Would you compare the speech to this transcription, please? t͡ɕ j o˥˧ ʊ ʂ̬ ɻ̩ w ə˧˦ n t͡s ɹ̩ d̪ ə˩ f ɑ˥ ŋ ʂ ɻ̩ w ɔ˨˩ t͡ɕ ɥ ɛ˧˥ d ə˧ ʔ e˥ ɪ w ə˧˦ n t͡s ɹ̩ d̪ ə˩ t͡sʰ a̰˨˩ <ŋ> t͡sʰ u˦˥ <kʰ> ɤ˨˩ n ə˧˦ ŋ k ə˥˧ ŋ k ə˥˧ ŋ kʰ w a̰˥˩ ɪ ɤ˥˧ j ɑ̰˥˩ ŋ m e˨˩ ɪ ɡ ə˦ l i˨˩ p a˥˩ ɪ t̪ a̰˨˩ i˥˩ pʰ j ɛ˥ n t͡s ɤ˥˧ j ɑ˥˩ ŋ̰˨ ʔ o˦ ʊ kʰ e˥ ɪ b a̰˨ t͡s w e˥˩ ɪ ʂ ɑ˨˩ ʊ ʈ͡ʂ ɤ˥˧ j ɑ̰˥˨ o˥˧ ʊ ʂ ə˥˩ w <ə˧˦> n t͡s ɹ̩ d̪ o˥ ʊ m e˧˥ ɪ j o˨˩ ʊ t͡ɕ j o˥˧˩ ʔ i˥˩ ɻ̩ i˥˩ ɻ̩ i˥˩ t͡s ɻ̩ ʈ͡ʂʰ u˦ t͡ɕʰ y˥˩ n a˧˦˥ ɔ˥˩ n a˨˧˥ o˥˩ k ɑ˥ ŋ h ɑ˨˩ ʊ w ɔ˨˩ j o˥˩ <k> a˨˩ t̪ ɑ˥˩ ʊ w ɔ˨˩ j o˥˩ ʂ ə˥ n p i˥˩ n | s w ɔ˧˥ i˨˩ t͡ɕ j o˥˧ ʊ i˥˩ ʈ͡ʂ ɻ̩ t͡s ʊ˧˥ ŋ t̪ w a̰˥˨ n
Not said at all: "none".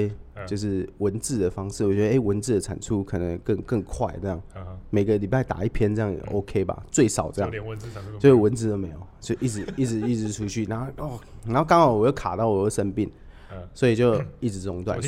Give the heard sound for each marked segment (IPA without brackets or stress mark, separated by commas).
n, kʰ, ə˧˦, kʰ